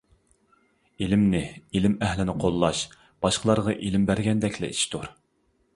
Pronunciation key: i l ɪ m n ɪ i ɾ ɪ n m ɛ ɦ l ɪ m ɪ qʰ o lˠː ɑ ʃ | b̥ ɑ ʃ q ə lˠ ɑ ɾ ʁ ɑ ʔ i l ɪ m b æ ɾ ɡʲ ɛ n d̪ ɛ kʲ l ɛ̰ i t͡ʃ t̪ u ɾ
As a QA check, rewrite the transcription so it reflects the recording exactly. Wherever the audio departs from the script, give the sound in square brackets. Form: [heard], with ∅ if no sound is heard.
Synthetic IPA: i l ɪ m n ɪ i [l] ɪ [∅] m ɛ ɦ l ɪ [n] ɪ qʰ o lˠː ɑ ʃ | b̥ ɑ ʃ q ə lˠ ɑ ɾ ʁ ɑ ʔ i l ɪ m b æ ɾ ɡʲ ɛ n d̪ ɛ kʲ l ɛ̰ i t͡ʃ t̪ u ɾ